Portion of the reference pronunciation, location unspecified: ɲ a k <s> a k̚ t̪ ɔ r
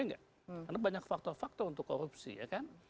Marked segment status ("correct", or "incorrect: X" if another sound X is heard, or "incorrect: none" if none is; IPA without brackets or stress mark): incorrect: f